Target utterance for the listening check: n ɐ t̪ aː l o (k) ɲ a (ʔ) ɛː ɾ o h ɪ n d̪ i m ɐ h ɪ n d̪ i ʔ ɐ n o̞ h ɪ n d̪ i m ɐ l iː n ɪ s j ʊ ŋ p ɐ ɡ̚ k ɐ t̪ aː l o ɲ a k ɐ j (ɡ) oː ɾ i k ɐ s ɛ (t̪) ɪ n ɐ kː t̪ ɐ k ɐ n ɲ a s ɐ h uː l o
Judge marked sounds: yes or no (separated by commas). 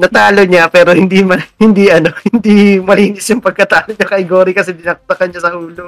no, no, yes, no